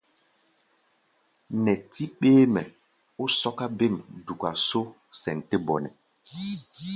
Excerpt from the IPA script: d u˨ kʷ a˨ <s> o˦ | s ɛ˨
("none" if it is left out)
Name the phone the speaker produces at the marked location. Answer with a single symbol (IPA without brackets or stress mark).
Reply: s